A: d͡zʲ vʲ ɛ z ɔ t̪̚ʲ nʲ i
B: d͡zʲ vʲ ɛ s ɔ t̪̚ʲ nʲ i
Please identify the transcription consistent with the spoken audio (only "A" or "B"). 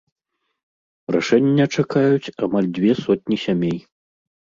B